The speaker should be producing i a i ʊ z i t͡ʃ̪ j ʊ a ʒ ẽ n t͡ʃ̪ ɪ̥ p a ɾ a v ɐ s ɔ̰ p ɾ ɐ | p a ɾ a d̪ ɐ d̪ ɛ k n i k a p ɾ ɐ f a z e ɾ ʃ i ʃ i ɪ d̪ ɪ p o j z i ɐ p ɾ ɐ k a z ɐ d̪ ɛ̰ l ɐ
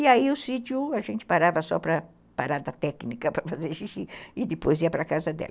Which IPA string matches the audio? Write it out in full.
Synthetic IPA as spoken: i a i ʊ s i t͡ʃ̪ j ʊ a ʒ ẽ n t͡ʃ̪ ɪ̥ p a ɾ a v ɐ s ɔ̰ p ɾ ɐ | p a ɾ a d̪ ɐ t̪ ɛ k n i k ɐ p ɾ ɐ f a z e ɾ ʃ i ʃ i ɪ d̪ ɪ p o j z i ɐ p ɾ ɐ k a z ɐ d̪ ɛ̰ l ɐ